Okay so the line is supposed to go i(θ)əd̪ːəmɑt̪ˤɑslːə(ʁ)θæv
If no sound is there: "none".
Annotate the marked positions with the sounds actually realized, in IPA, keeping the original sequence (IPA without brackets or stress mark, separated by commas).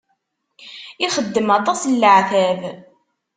χ, ʕ